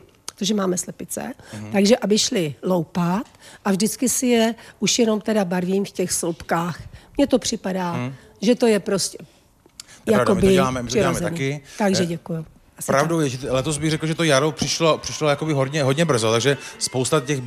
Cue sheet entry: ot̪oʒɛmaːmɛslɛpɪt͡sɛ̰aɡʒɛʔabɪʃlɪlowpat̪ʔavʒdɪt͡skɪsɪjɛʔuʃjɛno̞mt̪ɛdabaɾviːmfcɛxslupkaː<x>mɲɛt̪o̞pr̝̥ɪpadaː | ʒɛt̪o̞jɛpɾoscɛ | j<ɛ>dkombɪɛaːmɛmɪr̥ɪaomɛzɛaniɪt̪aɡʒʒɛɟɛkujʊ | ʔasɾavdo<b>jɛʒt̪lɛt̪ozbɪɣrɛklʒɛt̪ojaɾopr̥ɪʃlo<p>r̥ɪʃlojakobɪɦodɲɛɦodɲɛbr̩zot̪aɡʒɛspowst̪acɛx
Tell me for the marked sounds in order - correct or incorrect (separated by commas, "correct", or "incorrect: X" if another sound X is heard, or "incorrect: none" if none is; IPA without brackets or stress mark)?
correct, incorrect: a, incorrect: w, correct